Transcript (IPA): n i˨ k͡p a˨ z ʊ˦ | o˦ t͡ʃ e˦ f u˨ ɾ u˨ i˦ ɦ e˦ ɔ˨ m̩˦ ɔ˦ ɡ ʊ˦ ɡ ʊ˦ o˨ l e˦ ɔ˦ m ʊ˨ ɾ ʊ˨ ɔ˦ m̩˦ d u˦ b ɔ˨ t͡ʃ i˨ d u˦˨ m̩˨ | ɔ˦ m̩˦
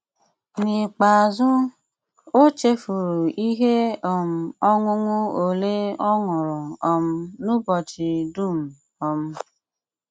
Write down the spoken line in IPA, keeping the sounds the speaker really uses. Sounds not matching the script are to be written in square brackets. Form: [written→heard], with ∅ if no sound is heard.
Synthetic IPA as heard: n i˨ k͡p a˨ z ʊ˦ | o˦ t͡ʃ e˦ f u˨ ɾ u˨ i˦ ɦ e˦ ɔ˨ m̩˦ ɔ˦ [ɡ→ŋ] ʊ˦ [ɡ→ŋ] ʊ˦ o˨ l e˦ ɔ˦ [m→ŋ] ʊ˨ ɾ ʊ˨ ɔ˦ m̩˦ [d→n] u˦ b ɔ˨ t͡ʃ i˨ d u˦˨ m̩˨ | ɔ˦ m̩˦